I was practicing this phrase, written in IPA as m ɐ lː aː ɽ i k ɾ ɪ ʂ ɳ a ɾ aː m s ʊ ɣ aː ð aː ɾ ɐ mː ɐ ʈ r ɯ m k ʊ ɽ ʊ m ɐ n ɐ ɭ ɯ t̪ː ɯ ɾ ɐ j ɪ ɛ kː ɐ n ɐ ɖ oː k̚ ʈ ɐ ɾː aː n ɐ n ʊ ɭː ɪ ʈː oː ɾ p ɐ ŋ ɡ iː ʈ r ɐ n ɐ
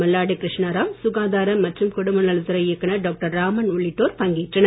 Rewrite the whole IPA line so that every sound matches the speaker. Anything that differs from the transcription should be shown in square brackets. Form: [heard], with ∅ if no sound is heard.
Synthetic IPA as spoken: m ɐ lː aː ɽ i k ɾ ɪ ʂ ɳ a ɾ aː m s ʊ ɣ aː ð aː ɾ ɐ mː ɐ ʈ r ɯ m k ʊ ɽ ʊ m ɐ n ɐ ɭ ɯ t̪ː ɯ ɾ ɐ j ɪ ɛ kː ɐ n ɐ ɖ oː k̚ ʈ ɐ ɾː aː [m] ɐ n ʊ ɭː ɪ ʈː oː ɾ p ɐ ŋ ɡ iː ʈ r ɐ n ɐ